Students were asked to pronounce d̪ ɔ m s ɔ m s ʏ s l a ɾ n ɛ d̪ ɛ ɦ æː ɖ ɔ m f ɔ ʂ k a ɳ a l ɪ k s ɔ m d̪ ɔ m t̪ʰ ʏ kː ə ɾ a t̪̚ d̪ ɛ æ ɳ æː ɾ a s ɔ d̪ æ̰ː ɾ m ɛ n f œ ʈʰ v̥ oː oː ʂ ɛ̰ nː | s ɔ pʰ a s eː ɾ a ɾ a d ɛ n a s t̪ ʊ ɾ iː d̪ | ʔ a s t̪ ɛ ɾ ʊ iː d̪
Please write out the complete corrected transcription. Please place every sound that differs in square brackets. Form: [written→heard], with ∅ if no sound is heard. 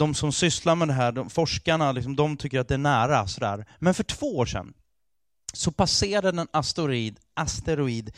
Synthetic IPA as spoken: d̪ ɔ m s ɔ m s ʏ s l a ɾ [n→m] ɛ d̪ ɛ ɦ æː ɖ ɔ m f ɔ ʂ k a ɳ a l ɪ k s ɔ m d̪ ɔ m t̪ʰ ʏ kː ə ɾ a t̪̚ d̪ ɛ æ ɳ æː ɾ a s ɔ d̪ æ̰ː ɾ m ɛ n f œ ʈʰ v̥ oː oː ʂ ɛ̰ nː | s ɔ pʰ a s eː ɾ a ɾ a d ɛ n a s t̪ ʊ ɾ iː d̪ | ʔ a s t̪ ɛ ɾ ʊ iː d̪